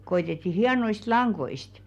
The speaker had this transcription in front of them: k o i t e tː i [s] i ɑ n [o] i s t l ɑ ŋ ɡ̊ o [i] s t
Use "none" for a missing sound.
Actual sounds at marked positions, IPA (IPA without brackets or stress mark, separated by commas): h, o, i